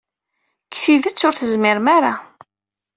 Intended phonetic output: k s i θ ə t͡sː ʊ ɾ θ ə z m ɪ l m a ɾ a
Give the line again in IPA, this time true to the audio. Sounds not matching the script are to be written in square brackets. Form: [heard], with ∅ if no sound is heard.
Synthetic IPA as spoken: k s i [ð] ə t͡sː ʊ ɾ θ ə z m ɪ [ɾ] m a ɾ a